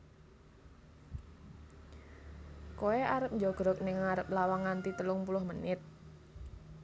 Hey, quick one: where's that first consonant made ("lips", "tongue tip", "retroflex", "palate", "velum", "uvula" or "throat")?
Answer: velum